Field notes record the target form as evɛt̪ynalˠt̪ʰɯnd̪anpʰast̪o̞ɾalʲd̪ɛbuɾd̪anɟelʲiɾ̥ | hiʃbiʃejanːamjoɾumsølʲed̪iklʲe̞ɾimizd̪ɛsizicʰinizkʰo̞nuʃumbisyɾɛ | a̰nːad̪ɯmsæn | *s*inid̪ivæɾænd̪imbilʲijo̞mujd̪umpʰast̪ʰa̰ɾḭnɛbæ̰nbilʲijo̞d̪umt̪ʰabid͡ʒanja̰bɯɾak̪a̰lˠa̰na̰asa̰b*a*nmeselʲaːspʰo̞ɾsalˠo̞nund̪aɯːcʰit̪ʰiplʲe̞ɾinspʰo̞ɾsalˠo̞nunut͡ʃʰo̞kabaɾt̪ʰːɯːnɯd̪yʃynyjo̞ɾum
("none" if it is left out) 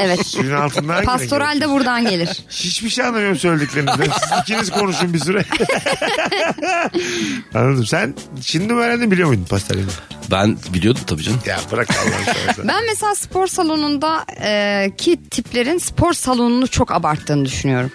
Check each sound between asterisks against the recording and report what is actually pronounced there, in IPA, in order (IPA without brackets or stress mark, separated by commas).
ʃ, æ